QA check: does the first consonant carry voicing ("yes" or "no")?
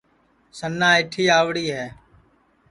no